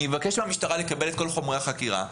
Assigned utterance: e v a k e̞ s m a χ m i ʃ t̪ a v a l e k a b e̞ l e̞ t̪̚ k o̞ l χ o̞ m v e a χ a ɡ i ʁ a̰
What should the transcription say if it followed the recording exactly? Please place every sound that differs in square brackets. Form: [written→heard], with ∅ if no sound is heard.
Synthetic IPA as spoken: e v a k e̞ [s→ʃ] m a [χ→∅] m i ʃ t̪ a [v→ʁ] a l e k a b e̞ l e̞ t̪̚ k o̞ l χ o̞ m [v→ʁ] e a χ a [ɡ→k] i ʁ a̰

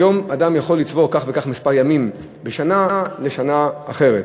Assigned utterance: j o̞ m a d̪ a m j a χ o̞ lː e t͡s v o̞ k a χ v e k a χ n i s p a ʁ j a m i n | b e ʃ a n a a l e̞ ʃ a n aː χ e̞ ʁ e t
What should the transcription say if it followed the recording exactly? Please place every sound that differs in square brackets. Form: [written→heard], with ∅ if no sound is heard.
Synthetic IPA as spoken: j o̞ m a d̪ a m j a χ o̞ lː [e→i] t͡s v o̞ k a χ v e k a χ [n→m] i s p a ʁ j a m i [n→m] | b e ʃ a n a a l e̞ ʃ a n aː χ e̞ ʁ e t

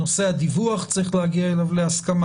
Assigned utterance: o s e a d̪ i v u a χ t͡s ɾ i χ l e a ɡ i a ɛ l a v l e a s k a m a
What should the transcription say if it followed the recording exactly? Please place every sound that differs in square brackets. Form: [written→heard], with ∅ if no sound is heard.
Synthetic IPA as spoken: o s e a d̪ i v u a χ t͡s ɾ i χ l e a ɡ i a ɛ l a v l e a s k a m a

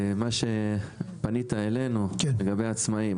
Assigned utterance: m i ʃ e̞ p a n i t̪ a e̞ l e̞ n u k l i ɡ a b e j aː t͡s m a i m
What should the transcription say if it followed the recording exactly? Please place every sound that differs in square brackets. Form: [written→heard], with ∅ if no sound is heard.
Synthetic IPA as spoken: m [i→a] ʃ e̞ p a n i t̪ a e̞ l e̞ n u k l [i→e] ɡ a b e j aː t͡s m a i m

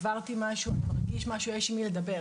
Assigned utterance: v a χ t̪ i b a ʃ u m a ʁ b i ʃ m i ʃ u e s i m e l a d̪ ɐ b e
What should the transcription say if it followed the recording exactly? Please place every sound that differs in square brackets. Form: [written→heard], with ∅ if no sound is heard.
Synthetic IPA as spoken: v a [χ→ʁ] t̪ i [b→m] a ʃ u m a ʁ [b→ɡ] i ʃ m [i→a] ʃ u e [s→ʃ] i m [e→i] l [a→e] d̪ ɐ b e

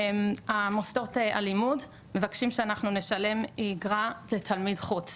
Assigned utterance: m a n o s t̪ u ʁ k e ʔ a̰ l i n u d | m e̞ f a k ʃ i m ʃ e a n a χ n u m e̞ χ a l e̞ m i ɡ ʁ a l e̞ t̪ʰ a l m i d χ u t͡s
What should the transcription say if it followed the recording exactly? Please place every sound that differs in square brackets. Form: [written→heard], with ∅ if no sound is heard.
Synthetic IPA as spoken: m a [n→m] o s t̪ [u→o] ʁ [k→t] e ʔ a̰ l i [n→m] u d | m e̞ [f→v] a k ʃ i m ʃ e a n a χ n u [m→n] e̞ [χ→ʃ] a l e̞ m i ɡ ʁ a l e̞ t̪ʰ a l m i d χ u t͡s

